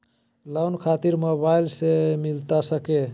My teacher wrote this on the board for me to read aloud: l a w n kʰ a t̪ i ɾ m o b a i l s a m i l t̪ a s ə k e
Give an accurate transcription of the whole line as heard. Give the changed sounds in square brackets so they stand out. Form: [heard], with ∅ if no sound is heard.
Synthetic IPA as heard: l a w n kʰ a t̪ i ɾ m o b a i l s [e] m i l t̪ a s ə k e